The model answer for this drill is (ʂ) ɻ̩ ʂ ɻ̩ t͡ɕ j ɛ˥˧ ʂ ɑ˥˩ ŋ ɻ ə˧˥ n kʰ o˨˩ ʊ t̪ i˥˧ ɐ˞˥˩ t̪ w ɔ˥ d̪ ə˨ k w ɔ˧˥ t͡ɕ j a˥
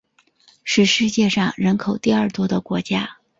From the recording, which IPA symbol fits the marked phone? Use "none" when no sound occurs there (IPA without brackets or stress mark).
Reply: ʂ